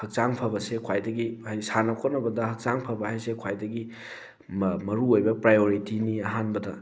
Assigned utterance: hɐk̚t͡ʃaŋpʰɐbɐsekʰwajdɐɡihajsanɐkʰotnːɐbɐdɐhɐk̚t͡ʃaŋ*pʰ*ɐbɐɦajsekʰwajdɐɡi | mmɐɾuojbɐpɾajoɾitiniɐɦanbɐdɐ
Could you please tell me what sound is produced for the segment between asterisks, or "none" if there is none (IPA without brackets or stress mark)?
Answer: pʰ